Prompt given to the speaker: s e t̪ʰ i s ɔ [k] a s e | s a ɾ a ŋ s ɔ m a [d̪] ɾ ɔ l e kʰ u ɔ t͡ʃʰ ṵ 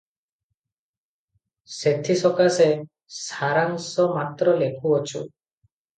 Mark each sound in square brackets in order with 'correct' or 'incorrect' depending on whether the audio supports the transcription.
correct, incorrect: t̪

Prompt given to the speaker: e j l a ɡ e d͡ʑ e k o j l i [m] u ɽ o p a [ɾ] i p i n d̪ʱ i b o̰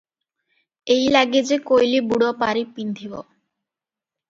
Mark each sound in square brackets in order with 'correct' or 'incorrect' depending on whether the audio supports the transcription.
incorrect: b, correct

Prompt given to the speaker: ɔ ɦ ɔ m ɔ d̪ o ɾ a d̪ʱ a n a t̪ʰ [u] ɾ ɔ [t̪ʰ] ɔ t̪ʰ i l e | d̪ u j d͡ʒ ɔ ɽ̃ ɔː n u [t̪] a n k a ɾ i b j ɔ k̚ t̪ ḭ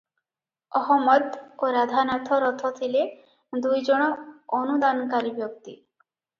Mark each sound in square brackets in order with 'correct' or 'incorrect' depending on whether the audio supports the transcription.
incorrect: ɔ, correct, incorrect: d̪

